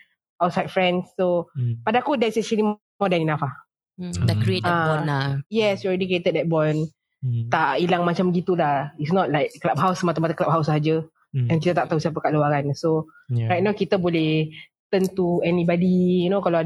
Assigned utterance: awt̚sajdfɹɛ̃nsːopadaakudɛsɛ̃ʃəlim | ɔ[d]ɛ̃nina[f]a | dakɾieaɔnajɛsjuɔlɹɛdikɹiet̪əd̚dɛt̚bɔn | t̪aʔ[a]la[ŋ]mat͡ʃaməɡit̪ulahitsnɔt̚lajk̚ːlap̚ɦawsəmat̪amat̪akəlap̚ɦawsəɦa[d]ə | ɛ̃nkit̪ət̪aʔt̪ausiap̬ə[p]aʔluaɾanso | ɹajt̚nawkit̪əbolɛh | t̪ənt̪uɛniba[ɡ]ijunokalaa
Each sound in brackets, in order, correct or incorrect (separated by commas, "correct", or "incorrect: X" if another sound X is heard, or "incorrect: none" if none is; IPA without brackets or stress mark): correct, correct, incorrect: i, correct, incorrect: d͡ʒ, incorrect: k, incorrect: d